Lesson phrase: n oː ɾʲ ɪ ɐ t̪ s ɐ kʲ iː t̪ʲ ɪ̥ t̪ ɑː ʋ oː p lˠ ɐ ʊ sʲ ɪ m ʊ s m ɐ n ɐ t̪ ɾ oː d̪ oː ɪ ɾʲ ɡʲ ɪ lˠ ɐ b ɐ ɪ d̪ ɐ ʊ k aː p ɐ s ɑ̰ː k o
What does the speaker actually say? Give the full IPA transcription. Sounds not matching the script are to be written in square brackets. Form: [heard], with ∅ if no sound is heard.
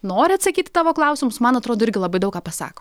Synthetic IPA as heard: n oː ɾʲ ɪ ɐ t̪ s ɐ kʲ iː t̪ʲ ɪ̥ t̪ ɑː ʋ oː [k] lˠ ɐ ʊ sʲ ɪ m ʊ s m ɐ n ɐ t̪ ɾ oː d̪ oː ɪ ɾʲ ɡʲ ɪ lˠ ɐ b ɐ ɪ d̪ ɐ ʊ k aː p ɐ s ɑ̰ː k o